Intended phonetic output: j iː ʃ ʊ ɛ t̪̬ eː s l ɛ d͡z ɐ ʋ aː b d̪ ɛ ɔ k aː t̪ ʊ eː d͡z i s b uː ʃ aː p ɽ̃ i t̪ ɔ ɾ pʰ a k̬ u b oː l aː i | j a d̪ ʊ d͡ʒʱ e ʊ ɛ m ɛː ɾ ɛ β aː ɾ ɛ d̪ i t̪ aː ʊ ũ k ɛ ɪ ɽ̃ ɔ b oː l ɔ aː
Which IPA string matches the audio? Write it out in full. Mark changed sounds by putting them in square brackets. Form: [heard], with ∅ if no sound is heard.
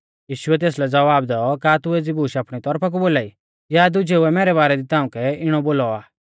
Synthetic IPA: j iː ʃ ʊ ɛ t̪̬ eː s l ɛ d͡z ɐ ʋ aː b d̪ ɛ ɔ k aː t̪ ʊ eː d͡z i [∅] b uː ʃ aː p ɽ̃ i t̪ ɔ ɾ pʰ a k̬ u b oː l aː i | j a d̪ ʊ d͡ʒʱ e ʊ ɛ m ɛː ɾ ɛ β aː ɾ ɛ d̪ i t̪ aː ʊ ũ k ɛ ɪ ɽ̃ ɔ b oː l ɔ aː